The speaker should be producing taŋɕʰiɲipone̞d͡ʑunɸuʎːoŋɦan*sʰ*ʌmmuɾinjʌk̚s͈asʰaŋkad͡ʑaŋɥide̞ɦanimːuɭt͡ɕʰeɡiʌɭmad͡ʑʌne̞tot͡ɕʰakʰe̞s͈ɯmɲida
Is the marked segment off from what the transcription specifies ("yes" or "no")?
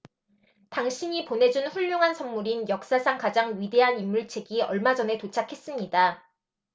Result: no